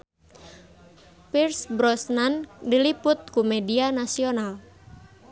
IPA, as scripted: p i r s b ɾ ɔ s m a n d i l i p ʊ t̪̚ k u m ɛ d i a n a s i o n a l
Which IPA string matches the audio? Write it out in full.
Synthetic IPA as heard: p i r s b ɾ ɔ s n a n d i l i p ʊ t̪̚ k u m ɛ d i a n a s i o n a l